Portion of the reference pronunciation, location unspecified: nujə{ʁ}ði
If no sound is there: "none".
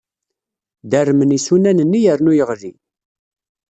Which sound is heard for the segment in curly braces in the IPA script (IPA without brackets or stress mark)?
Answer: ʁ